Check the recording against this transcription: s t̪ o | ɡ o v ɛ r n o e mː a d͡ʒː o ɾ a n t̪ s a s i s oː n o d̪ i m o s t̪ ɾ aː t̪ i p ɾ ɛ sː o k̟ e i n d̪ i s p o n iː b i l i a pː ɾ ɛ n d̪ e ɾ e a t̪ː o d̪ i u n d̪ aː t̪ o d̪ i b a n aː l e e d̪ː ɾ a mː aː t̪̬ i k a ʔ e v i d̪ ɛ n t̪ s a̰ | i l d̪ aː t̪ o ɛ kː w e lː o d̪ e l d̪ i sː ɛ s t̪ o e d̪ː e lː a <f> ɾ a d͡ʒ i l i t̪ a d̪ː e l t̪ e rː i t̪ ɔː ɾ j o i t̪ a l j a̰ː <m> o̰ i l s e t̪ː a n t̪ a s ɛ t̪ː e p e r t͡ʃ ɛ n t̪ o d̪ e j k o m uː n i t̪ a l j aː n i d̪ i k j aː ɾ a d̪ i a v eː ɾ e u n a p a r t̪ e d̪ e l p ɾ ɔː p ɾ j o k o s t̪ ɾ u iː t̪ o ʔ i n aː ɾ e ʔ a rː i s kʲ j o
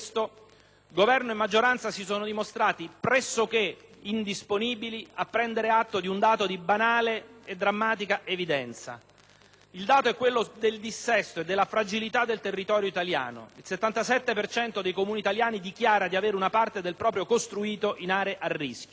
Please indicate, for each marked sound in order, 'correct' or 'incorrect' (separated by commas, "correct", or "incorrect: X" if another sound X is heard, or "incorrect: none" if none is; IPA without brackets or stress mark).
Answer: correct, incorrect: n